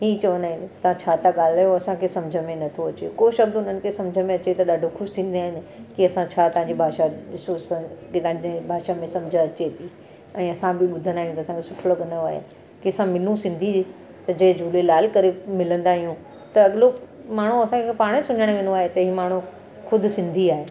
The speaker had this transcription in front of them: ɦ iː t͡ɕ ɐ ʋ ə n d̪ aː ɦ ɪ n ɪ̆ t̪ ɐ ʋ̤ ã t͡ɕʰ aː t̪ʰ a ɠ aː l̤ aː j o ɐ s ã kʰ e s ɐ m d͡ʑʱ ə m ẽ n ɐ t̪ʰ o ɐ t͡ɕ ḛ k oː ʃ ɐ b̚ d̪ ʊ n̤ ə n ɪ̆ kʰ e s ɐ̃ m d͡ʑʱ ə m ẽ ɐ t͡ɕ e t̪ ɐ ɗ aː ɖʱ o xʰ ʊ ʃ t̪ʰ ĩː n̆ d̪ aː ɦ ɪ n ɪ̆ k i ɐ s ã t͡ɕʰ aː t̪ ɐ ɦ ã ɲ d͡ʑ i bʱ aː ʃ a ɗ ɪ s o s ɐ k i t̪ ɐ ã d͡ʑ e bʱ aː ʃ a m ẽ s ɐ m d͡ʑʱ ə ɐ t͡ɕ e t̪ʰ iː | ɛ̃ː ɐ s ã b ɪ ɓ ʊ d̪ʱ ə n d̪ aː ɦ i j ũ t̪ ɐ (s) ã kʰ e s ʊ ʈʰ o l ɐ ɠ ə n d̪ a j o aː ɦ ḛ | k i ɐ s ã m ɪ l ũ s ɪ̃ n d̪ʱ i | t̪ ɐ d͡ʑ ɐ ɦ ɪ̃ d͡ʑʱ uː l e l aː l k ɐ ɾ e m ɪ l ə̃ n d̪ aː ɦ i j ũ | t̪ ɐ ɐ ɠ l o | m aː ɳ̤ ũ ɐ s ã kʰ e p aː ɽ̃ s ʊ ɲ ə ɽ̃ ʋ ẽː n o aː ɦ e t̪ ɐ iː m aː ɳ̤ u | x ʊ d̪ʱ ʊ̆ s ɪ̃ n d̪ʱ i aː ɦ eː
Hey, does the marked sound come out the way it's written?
yes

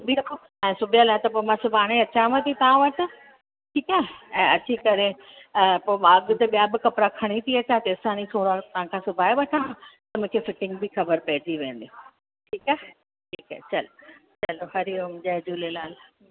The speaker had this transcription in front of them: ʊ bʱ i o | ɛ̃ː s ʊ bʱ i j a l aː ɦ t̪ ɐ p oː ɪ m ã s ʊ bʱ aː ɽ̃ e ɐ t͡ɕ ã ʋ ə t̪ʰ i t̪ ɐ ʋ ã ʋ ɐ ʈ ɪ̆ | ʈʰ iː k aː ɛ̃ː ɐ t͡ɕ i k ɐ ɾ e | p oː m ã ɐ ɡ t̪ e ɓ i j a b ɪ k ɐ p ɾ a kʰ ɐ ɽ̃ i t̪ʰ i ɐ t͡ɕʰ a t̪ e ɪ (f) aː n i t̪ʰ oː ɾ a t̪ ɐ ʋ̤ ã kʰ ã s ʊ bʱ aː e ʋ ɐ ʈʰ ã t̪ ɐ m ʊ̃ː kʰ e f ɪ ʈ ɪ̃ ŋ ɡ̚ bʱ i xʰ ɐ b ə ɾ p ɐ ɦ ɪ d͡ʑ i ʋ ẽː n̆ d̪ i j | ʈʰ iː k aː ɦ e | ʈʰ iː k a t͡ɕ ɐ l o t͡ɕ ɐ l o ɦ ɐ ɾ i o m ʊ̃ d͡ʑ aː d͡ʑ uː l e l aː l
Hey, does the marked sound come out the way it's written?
no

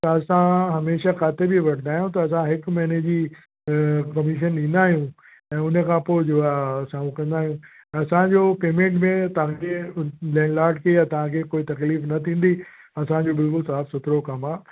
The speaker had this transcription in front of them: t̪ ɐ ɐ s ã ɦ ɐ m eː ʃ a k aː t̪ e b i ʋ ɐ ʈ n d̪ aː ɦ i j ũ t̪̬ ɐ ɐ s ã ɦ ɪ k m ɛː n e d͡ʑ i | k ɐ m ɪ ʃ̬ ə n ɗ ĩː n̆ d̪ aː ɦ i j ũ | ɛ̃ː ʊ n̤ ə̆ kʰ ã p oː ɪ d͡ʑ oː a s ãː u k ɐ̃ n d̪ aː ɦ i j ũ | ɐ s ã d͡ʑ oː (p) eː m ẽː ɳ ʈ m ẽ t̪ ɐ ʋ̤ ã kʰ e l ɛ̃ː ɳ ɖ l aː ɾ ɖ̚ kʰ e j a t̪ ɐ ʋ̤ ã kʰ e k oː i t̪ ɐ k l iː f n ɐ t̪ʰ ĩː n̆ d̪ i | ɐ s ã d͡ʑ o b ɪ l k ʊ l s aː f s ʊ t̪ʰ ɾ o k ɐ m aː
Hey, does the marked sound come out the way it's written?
yes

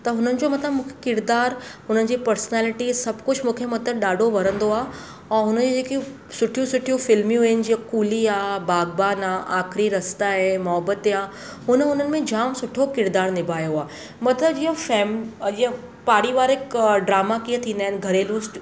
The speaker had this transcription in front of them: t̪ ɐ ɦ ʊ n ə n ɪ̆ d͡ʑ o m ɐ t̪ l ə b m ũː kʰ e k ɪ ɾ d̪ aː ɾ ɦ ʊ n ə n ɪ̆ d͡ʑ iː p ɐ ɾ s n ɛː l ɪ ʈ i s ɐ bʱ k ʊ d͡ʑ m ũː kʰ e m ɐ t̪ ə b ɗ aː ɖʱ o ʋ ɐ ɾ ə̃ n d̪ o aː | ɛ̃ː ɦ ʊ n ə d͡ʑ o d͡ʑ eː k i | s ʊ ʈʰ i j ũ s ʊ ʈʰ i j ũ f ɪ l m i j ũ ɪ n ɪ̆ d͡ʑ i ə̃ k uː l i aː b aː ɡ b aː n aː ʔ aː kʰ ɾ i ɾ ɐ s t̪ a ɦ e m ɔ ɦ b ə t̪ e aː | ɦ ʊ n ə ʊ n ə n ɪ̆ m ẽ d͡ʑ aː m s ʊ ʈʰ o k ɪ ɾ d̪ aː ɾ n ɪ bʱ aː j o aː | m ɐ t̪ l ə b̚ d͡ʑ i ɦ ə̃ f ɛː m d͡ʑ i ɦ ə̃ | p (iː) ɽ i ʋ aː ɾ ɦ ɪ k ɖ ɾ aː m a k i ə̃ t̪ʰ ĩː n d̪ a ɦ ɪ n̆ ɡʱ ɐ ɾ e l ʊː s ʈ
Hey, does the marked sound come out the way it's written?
no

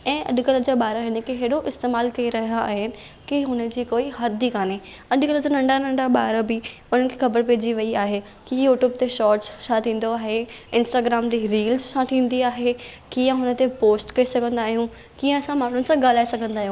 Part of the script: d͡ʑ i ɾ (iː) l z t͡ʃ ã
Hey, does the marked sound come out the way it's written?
yes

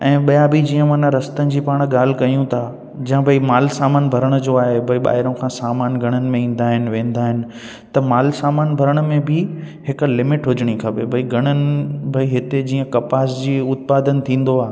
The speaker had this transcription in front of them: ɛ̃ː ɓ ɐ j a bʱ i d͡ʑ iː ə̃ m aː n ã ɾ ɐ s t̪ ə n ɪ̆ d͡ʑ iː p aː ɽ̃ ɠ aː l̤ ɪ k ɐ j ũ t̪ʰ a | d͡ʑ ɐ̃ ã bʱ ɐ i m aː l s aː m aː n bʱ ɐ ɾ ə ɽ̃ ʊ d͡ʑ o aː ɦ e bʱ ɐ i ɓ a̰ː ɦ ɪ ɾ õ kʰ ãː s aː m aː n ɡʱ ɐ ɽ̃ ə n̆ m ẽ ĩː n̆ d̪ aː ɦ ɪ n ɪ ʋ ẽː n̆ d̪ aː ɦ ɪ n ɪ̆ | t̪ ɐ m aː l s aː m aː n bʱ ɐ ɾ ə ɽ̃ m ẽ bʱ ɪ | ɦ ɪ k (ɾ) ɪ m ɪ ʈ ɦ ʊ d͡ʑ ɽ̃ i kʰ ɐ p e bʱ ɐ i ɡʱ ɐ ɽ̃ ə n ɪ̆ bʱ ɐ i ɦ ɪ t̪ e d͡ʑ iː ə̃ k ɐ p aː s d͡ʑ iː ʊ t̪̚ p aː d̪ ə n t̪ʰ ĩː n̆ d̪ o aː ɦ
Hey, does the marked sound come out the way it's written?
no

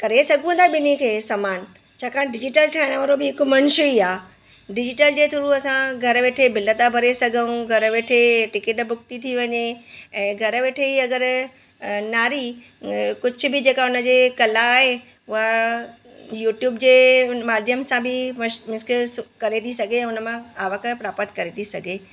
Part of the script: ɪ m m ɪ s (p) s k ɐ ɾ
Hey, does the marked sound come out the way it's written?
no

